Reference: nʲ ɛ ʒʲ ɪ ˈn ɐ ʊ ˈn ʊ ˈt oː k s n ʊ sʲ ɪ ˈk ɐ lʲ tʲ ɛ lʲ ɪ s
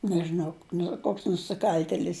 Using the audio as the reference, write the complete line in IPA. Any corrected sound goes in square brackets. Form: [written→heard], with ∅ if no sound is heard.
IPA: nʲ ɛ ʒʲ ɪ ˈn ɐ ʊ ˈn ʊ [ˈt→ˈk] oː k s n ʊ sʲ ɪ ˈk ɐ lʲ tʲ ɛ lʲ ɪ s